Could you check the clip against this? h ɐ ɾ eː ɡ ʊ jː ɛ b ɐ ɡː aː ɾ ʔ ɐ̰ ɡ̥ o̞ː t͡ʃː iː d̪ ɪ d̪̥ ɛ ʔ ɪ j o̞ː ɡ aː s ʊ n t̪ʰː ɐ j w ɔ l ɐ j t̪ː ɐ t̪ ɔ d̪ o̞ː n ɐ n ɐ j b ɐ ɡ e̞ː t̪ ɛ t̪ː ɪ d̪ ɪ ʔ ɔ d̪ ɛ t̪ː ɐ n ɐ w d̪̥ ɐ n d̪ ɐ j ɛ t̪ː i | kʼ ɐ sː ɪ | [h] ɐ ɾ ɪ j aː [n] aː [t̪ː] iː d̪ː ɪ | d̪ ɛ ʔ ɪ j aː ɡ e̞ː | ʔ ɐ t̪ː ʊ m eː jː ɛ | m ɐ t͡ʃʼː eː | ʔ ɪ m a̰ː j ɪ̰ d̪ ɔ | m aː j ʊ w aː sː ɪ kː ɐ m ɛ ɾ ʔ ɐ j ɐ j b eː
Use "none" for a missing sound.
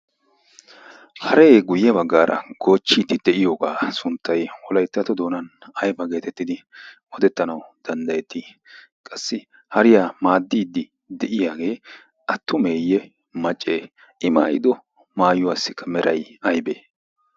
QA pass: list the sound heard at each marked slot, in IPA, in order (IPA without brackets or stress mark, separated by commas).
h, m, d̪ː